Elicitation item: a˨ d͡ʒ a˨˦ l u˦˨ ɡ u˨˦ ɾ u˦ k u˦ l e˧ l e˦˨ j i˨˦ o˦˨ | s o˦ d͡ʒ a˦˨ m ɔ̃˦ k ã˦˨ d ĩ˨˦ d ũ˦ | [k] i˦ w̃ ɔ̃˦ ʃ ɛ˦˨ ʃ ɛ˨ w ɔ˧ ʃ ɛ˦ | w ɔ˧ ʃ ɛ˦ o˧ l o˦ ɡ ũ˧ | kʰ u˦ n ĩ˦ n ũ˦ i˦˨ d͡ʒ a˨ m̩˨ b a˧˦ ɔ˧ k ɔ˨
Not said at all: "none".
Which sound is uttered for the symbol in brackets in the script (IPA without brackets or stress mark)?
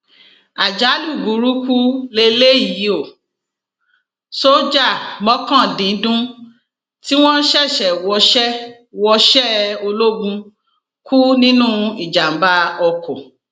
t